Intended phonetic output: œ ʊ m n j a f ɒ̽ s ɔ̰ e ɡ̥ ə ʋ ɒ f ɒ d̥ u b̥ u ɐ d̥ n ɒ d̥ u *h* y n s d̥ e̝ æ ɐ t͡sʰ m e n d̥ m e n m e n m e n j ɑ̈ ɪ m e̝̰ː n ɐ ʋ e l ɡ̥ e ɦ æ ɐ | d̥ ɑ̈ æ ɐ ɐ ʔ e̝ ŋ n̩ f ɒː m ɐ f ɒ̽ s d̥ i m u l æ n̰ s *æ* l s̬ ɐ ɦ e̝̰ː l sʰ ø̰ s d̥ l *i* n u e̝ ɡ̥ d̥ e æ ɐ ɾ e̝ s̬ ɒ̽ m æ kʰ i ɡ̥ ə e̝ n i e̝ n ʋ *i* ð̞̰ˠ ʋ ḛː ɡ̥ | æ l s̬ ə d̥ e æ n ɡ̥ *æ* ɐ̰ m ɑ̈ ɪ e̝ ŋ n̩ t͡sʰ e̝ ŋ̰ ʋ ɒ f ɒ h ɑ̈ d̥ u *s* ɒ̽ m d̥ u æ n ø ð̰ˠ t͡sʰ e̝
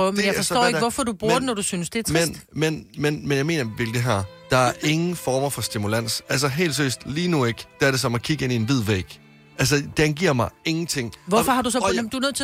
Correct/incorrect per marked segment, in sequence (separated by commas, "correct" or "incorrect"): incorrect, correct, incorrect, correct, incorrect, correct